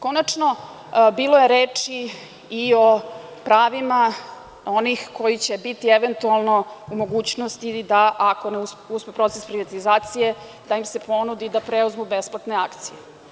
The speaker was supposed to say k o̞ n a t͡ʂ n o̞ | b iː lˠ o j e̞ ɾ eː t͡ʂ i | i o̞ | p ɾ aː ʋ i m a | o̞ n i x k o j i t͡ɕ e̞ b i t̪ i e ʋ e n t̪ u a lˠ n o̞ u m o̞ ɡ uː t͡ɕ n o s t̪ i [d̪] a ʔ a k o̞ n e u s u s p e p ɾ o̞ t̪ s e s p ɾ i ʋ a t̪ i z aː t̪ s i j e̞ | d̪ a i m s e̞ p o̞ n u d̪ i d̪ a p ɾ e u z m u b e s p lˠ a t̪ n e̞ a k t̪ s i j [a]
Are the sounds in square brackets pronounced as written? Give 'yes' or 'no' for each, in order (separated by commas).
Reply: yes, no